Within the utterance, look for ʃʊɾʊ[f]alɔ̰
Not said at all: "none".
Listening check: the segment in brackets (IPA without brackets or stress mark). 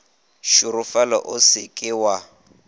f